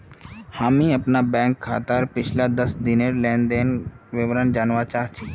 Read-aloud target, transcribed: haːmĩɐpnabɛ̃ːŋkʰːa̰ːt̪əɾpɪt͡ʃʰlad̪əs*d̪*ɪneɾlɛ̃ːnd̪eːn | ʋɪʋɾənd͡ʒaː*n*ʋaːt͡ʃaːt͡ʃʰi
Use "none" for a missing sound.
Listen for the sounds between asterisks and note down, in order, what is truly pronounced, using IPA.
d̪, n

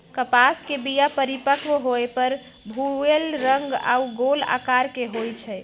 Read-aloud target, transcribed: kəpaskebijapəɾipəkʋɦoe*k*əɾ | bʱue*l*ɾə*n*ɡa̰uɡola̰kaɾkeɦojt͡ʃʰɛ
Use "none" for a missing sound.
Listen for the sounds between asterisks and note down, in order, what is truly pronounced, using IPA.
p, l, ŋ

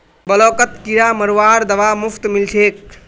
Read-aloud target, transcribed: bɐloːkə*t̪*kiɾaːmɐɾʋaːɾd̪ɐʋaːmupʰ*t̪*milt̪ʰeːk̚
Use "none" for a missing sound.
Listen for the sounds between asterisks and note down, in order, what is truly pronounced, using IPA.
t̪, t̪

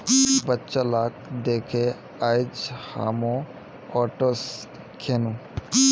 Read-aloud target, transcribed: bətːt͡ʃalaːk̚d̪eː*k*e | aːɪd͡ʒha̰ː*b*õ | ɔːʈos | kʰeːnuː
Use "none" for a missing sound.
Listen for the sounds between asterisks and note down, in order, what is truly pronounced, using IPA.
kʰ, m

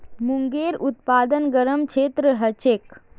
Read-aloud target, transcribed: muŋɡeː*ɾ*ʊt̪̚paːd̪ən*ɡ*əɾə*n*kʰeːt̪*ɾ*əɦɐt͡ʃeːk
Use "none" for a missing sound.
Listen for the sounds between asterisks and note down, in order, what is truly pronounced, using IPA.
ɾ, ɡ, m, ɾ

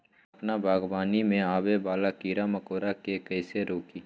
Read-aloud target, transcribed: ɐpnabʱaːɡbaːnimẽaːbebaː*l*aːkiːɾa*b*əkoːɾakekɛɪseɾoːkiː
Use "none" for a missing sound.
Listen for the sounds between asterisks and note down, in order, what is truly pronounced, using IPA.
l, m

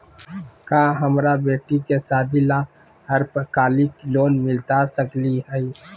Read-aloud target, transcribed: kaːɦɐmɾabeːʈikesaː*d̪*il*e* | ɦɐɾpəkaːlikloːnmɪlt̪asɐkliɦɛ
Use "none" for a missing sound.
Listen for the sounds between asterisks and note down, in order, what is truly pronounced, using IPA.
d̪, a

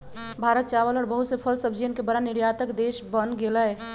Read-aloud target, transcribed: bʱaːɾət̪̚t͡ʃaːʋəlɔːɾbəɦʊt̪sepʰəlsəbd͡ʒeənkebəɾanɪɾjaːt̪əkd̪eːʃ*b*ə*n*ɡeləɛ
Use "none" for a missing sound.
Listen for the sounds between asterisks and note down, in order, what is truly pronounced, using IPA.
b, n

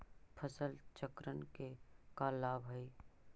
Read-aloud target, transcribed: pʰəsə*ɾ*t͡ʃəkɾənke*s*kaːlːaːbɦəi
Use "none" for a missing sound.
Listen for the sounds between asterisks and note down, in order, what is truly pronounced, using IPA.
l, none

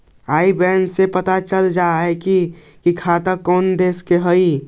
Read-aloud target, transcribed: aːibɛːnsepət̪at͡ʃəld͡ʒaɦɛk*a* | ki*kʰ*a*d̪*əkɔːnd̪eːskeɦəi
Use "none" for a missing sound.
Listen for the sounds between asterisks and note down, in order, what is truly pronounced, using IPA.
i, kʰ, t̪

